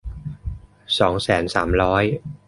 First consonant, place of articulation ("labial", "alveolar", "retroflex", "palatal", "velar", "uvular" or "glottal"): alveolar